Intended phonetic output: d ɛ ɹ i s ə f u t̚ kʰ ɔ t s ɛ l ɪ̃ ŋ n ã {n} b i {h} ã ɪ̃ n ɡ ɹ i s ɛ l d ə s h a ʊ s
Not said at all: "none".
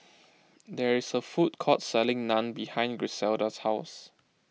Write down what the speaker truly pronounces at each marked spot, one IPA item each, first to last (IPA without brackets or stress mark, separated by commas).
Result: n, h